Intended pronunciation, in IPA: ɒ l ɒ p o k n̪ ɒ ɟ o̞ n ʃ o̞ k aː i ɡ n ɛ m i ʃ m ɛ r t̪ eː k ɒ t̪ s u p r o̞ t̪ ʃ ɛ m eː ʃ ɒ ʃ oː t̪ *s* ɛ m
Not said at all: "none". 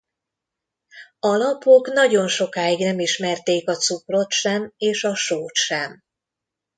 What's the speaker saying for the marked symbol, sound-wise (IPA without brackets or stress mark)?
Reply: ʃ